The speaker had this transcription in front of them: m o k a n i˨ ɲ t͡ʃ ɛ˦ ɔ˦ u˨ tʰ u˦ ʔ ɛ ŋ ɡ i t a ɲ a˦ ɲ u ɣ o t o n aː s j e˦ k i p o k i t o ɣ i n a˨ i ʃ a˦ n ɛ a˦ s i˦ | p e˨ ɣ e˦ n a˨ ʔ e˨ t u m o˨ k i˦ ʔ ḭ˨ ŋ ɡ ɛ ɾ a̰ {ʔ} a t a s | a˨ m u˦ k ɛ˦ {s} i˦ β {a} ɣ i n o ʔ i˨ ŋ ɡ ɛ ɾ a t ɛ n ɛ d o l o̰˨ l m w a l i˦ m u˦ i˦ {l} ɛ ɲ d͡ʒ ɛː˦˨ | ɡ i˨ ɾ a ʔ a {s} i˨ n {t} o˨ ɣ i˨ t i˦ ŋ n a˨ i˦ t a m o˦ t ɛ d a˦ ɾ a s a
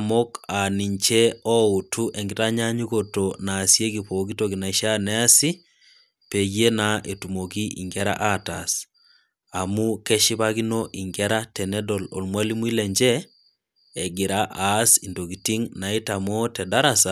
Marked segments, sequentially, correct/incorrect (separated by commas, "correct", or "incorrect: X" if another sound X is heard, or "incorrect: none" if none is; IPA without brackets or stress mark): correct, incorrect: ʃ, correct, correct, correct, incorrect: d